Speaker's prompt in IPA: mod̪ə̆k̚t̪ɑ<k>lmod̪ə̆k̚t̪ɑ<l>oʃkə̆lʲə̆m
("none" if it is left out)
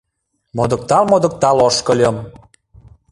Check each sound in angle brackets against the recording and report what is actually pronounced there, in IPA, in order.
none, l

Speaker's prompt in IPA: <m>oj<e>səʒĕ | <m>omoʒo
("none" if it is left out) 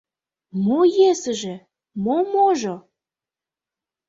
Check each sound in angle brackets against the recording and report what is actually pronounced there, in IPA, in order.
m, e, m

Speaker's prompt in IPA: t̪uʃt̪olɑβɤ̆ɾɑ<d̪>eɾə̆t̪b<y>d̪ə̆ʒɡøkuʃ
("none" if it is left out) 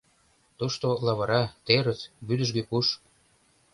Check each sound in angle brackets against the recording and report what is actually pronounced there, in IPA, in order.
t̪, y

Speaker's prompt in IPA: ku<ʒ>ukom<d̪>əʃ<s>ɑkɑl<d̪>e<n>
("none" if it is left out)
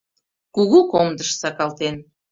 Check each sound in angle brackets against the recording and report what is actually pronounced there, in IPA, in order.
ɣ, d̪, s, t̪, n

